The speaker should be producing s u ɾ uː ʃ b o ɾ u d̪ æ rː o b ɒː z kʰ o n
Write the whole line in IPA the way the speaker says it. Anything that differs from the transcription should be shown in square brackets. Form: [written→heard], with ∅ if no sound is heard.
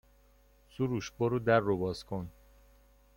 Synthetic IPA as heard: s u ɾ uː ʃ b o ɾ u d̪ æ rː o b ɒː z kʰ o n